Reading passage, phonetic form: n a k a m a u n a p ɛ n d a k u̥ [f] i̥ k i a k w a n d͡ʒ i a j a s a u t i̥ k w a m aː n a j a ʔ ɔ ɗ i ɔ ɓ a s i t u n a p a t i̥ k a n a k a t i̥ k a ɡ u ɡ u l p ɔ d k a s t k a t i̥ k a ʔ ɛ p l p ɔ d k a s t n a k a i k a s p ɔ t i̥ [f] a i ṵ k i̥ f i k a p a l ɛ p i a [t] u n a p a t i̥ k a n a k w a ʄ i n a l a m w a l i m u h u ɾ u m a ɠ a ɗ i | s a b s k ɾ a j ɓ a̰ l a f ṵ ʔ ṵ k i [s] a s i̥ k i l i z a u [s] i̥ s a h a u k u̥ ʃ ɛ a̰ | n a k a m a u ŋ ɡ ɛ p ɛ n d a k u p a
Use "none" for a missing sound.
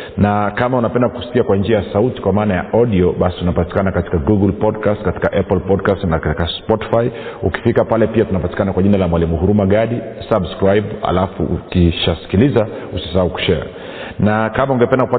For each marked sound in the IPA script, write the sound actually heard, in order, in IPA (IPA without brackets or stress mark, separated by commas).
s, f, t, ʃ, s